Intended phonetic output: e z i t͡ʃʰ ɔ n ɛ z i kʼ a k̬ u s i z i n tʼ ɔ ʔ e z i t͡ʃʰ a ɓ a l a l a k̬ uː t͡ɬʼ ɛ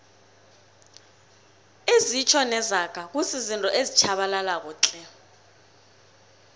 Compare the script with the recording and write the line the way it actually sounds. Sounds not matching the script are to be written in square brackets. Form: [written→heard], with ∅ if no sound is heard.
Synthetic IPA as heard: e z i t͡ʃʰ ɔ n ɛ z [i→a] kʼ a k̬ u s i z i n tʼ ɔ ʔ e z i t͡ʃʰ a ɓ a l a l a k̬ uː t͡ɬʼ ɛ